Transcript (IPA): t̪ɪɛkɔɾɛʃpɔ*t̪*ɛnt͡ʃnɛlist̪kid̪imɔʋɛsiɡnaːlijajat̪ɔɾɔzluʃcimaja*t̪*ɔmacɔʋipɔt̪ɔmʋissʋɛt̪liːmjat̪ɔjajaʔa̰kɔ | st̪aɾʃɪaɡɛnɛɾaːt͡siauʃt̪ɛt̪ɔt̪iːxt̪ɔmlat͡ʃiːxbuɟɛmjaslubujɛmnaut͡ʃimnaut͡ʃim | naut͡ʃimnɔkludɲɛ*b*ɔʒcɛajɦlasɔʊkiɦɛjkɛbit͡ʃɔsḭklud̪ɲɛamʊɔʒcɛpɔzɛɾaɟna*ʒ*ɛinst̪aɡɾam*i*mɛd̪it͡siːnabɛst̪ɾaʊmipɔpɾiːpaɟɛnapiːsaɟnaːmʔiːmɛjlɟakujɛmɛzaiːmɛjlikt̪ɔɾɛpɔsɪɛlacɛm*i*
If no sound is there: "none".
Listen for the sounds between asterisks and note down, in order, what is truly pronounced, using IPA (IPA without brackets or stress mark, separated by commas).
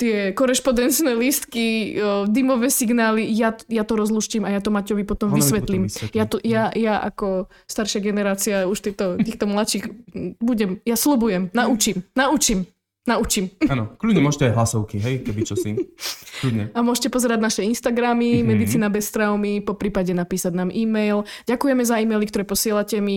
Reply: d̪, t̪, m, ʃ, i, i